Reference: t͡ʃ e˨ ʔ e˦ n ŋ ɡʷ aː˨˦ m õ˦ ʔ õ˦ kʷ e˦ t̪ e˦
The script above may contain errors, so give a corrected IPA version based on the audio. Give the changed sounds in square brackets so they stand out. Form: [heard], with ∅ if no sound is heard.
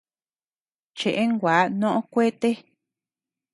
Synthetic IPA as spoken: t͡ʃ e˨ ʔ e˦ [∅] ŋ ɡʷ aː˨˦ [n] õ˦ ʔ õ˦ kʷ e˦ t̪ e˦

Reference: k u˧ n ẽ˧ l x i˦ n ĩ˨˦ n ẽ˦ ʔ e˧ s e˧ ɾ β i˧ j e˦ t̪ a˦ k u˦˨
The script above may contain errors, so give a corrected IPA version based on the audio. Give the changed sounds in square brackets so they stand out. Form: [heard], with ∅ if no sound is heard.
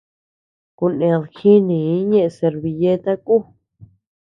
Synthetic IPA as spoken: k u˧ n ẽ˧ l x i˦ n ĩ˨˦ [ɲ] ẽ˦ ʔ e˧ s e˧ ɾ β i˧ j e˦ t̪ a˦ k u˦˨

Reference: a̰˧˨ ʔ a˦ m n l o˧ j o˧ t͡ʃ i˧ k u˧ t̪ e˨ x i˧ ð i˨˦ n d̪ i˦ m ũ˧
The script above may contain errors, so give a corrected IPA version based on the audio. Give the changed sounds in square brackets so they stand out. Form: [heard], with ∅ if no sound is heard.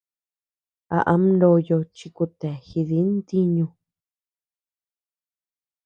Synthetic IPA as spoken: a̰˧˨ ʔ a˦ m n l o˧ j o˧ t͡ʃ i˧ k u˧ t̪ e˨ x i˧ ð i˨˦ n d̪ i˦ [ɲ] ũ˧

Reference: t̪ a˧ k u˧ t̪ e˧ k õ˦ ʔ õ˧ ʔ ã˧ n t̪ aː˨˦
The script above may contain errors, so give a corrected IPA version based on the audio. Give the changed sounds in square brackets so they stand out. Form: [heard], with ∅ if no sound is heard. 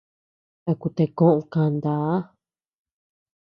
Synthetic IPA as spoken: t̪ a˧ k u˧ t̪ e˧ k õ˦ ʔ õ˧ [k] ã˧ n [d̪] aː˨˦

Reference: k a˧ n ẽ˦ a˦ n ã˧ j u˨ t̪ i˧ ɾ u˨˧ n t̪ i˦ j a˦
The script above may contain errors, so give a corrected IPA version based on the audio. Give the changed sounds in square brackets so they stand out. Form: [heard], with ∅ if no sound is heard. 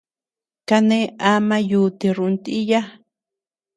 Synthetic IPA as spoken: k a˧ n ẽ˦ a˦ [m] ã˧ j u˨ t̪ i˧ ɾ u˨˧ n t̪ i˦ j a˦

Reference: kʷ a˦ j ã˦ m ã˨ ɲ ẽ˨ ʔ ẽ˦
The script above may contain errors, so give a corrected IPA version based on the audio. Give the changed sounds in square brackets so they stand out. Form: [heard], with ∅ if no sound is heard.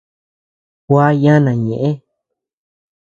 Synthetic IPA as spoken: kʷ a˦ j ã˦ [n] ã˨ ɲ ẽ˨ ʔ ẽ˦

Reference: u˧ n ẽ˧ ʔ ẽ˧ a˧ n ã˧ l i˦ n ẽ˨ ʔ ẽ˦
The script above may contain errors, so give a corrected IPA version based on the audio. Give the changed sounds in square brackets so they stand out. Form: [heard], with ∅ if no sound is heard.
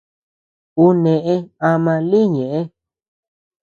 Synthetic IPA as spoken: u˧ n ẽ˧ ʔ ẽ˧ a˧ [m] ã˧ l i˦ [ɲ] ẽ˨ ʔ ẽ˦

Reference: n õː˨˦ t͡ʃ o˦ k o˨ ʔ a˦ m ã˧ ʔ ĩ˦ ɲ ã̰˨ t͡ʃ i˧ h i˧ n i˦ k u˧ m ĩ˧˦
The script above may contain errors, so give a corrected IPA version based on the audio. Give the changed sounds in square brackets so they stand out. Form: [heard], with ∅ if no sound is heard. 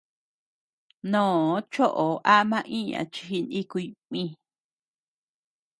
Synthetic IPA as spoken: n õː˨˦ t͡ʃ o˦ [ʔ] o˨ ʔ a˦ m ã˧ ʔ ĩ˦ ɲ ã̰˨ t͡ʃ i˧ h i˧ n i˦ k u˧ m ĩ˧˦

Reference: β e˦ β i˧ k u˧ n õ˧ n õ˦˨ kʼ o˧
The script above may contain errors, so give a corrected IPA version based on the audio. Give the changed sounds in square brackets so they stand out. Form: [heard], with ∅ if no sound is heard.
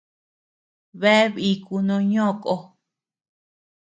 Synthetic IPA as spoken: β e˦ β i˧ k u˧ n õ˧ [ɲ] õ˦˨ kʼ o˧

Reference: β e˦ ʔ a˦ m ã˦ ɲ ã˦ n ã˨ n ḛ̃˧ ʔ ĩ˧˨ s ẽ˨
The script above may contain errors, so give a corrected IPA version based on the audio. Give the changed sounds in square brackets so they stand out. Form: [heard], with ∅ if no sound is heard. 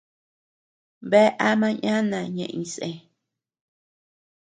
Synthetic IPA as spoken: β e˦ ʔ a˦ m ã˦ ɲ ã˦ n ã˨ [ɲ] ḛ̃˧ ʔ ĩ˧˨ s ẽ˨

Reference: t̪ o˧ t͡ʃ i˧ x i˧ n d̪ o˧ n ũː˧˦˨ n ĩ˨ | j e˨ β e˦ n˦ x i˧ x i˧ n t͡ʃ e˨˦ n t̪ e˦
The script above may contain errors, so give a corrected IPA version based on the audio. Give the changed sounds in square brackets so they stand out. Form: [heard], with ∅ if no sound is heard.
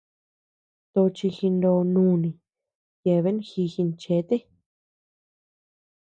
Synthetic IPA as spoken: t̪ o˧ t͡ʃ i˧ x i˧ n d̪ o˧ n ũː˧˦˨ n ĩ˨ | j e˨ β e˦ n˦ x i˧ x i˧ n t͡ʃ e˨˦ [∅] t̪ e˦

